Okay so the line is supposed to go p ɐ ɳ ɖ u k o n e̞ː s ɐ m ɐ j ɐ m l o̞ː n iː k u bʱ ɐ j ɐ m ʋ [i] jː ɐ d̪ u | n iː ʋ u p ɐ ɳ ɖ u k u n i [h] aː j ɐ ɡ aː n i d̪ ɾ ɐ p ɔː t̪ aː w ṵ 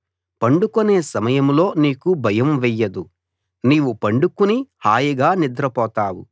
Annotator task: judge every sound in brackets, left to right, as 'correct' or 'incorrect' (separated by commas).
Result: incorrect, correct